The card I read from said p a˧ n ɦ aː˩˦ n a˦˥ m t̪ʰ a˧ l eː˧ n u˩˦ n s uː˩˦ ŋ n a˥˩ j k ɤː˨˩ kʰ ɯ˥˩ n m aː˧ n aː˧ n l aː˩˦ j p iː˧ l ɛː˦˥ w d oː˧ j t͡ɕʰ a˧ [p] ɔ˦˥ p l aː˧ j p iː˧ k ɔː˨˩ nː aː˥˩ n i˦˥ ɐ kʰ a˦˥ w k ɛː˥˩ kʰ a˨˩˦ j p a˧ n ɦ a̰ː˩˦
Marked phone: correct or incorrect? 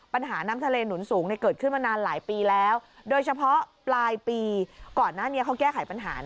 incorrect